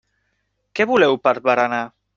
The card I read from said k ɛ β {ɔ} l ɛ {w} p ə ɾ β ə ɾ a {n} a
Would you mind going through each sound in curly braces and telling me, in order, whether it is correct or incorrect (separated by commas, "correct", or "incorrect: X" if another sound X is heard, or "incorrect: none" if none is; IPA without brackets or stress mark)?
incorrect: u, correct, correct